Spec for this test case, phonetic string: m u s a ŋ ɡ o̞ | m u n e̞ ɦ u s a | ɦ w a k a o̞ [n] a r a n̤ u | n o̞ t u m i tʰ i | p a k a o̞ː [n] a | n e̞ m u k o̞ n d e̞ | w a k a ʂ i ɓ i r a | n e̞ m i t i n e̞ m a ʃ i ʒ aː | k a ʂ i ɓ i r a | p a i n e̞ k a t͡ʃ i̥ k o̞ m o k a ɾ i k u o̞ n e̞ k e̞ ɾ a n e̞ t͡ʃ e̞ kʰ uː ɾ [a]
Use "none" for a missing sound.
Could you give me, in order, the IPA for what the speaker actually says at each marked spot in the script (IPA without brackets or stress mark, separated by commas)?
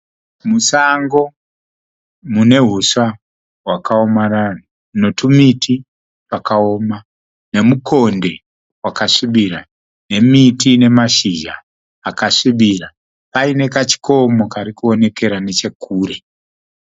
m, m, e